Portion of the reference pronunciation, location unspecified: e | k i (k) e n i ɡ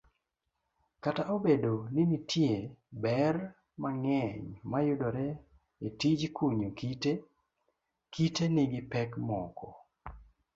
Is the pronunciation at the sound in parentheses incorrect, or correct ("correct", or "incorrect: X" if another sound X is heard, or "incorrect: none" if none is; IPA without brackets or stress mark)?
incorrect: t